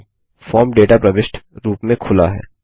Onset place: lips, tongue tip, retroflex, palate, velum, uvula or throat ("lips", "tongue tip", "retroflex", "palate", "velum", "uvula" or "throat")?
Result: lips